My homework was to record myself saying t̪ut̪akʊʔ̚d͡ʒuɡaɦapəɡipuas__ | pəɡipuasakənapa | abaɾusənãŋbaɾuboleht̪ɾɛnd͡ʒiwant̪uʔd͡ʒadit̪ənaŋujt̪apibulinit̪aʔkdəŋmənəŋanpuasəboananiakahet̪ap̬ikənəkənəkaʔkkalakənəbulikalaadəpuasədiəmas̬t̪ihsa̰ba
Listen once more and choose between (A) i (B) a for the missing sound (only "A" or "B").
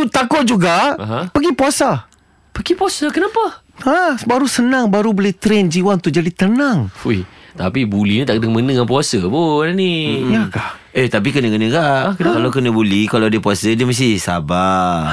B